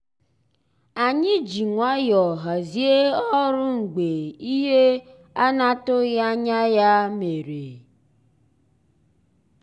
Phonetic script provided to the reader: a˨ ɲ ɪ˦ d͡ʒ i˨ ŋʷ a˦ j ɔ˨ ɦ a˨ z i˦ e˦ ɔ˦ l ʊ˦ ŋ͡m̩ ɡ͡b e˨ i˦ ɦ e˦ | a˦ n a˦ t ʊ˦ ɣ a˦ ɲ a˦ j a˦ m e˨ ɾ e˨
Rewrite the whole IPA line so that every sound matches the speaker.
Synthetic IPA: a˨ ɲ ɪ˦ d͡ʒ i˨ ŋʷ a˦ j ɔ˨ ɦ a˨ z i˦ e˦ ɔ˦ ɾ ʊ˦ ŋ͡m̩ ɡ͡b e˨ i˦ ɦ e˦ | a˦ n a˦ t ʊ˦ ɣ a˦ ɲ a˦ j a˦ m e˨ ɾ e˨